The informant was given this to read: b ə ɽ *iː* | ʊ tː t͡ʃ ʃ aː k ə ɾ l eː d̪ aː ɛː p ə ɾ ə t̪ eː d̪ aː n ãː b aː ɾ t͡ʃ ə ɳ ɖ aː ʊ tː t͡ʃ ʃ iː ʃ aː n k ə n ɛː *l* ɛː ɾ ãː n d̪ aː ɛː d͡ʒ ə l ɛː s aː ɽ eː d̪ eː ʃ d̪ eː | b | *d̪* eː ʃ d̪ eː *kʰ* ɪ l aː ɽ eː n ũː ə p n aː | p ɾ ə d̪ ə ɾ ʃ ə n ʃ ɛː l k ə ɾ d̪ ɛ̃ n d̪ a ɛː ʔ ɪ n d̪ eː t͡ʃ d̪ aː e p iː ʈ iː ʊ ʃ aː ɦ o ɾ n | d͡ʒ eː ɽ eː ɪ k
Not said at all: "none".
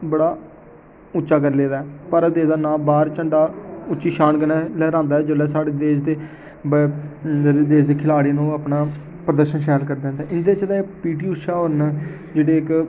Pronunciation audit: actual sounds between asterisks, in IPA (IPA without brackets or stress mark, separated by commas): aː, l, d̪, kʰ